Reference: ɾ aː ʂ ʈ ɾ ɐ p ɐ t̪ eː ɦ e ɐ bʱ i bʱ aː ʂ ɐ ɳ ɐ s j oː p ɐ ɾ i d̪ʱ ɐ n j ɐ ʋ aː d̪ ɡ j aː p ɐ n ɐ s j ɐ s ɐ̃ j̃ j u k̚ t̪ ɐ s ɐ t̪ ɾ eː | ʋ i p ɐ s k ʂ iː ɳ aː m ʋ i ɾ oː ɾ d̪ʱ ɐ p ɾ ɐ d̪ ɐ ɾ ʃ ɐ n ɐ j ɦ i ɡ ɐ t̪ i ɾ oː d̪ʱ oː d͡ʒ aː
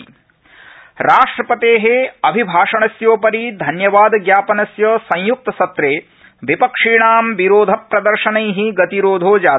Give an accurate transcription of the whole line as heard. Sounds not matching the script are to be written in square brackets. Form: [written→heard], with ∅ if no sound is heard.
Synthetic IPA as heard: ɾ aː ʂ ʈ ɾ ɐ p ɐ t̪ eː ɦ e ɐ bʱ i bʱ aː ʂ ɐ ɳ ɐ s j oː p ɐ ɾ i d̪ʱ ɐ n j ɐ ʋ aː d̪ ɡ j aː p ɐ n ɐ s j ɐ s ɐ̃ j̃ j u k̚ t̪ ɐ s ɐ t̪ ɾ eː | ʋ i p ɐ [s→∅] k ʂ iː ɳ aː m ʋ i ɾ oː [ɾ→∅] d̪ʱ ɐ p ɾ ɐ d̪ ɐ ɾ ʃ ɐ n ɐ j ɦ i ɡ ɐ t̪ i ɾ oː d̪ʱ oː d͡ʒ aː